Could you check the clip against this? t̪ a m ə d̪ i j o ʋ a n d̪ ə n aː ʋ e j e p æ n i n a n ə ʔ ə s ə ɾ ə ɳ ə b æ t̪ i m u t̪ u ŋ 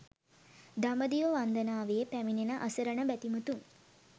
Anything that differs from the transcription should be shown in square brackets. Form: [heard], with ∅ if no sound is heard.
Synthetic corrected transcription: [d̪] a m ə d̪ i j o ʋ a n d̪ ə n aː ʋ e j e p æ [m] i n [e] n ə ʔ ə s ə ɾ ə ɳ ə b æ t̪ i m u t̪ u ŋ